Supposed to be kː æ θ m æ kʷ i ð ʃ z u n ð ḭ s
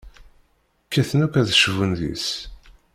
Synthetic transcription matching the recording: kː æ θ n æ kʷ æ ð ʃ v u n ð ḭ s